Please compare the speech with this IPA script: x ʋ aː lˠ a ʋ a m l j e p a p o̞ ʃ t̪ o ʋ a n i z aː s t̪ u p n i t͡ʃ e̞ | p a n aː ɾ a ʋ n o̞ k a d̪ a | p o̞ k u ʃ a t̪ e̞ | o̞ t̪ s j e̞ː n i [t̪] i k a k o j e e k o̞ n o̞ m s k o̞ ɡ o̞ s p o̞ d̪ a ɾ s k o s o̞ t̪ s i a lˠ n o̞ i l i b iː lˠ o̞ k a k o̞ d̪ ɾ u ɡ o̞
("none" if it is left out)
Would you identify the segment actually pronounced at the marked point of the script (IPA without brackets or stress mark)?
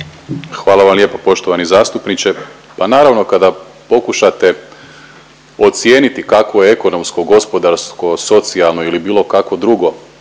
t̪